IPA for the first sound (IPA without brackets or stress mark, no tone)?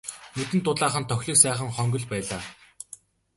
n